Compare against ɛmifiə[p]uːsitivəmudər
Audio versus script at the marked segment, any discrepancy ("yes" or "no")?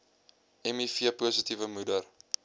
no